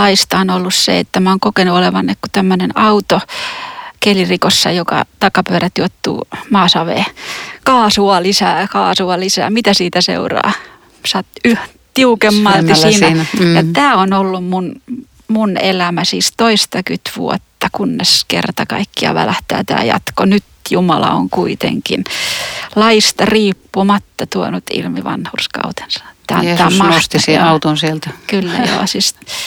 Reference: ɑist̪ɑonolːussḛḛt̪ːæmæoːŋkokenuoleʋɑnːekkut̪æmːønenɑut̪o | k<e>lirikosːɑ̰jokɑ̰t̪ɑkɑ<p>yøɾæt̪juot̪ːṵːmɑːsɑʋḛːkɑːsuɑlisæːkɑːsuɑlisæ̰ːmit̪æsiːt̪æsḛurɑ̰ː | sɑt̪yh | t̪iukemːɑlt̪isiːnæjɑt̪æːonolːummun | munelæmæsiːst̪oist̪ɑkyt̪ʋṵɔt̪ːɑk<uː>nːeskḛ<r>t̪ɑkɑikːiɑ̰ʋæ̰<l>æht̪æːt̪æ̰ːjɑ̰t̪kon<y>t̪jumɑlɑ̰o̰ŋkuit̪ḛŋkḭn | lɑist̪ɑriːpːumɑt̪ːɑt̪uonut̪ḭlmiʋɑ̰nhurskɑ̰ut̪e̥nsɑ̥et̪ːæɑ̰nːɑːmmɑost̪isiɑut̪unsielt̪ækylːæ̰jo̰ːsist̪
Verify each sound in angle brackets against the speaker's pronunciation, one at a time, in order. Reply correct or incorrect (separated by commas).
correct, correct, incorrect, correct, correct, correct